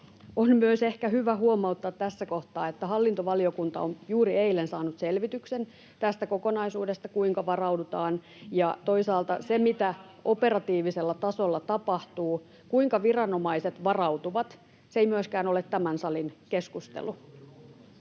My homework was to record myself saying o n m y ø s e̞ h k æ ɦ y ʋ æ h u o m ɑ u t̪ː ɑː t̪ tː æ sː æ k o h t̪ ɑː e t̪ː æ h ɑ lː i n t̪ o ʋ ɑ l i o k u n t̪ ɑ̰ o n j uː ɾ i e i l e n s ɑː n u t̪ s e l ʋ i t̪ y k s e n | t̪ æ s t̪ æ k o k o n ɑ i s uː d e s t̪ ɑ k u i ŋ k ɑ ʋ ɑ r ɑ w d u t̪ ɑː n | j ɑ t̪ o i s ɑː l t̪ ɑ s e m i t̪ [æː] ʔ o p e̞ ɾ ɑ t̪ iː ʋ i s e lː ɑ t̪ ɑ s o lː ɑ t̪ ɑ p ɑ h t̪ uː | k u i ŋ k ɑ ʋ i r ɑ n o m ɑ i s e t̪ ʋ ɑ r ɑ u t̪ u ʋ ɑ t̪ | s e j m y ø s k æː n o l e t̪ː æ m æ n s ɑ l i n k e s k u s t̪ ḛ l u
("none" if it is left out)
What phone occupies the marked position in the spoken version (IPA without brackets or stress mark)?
æ